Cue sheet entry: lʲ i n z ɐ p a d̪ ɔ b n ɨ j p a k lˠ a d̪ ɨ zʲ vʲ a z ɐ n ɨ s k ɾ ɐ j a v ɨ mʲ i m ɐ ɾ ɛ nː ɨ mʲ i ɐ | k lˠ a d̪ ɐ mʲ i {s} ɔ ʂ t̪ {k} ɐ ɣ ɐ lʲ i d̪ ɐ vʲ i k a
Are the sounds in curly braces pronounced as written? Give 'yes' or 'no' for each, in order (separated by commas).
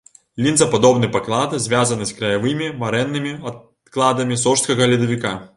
yes, yes